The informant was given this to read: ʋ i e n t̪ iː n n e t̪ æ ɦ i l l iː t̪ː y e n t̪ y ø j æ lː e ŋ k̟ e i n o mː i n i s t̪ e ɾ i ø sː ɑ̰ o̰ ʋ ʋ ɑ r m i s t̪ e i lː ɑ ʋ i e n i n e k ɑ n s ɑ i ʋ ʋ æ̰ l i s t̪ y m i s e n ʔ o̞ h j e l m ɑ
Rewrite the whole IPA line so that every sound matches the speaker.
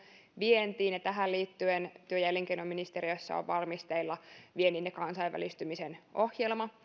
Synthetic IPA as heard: ʋ i e n t̪ iː n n e t̪ æ ɦ æ l l iː t̪ː y e n t̪ y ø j æ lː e ŋ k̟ e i n o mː i n i s t̪ e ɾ i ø sː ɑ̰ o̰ ʋ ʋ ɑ r m i s t̪ e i lː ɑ ʋ i e n i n e k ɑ n s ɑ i ʋ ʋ æ̰ l i s t̪ y m i s e n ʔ o̞ h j e l m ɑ